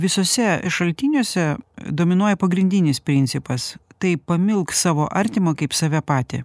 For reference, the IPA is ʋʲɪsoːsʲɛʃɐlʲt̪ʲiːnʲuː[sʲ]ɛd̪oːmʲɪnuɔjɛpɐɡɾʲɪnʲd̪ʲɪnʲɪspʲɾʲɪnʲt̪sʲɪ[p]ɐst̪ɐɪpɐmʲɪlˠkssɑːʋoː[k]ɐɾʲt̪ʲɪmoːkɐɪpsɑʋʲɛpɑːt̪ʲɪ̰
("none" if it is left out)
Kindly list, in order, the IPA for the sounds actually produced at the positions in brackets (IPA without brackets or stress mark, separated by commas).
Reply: sʲ, p, ʔ